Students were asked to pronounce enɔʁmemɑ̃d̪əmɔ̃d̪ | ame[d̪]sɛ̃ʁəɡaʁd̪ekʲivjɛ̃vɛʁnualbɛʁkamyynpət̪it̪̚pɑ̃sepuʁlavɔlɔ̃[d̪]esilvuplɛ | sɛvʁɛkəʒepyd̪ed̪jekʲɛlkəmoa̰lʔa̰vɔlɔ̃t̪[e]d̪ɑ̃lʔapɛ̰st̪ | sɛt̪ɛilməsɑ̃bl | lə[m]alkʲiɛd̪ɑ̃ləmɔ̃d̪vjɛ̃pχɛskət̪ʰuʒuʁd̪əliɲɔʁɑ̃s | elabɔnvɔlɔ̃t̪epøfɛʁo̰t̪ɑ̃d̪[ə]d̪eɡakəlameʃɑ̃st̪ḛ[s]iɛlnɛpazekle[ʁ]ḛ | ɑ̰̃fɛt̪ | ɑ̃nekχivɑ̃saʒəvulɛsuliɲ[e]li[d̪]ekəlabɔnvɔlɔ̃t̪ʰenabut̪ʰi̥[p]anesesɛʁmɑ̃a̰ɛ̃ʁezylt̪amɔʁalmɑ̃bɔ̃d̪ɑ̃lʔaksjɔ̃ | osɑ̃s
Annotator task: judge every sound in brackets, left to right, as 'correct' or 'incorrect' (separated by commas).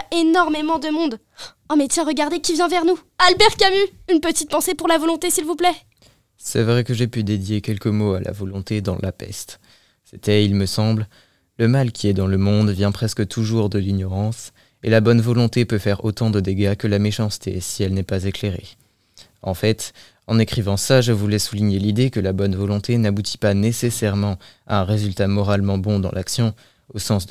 incorrect, incorrect, correct, correct, correct, correct, correct, correct, correct, correct